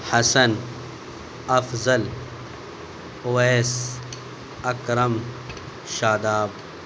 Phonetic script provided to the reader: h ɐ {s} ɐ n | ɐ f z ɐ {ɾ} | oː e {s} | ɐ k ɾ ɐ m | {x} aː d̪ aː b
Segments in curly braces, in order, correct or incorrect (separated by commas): correct, incorrect, correct, incorrect